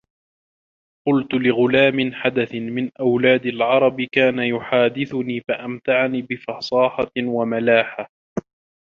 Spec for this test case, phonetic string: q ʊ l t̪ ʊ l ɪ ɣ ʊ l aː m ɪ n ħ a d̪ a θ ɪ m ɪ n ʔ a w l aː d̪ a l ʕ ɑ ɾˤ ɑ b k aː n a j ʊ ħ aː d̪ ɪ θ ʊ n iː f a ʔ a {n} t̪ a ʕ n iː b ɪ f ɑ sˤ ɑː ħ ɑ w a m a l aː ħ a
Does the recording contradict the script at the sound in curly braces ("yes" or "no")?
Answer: yes